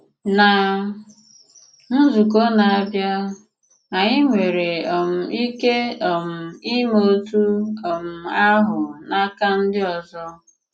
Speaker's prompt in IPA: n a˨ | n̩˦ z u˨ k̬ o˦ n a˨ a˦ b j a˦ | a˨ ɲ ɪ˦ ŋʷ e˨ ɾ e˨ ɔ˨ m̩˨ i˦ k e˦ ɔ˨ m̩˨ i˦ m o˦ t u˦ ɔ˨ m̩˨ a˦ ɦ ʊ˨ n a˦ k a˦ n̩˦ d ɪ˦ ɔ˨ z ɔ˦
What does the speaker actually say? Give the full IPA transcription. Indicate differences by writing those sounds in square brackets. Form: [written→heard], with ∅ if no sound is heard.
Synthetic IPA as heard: n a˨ | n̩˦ z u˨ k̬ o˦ n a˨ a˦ b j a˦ | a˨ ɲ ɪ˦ ŋʷ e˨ ɾ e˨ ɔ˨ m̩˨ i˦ k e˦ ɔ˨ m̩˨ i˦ m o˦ t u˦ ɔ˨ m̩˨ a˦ ɦ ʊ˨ n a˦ k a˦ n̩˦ d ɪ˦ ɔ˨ z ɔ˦